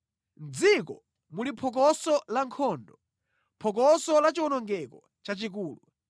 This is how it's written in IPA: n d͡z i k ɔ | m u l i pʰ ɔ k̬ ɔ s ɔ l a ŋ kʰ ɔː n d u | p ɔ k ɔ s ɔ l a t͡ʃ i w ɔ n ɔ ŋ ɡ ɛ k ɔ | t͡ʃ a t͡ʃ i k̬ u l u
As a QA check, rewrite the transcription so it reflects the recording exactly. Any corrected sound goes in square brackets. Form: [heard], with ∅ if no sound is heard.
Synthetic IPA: n d͡z i k ɔ | m u l i pʰ ɔ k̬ ɔ s ɔ l a ŋ kʰ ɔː n d [ɔ] | [pʰ] ɔ k ɔ s ɔ l a t͡ʃ i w ɔ n ɔ ŋ ɡ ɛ k ɔ | t͡ʃ a t͡ʃ i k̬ [uː] l u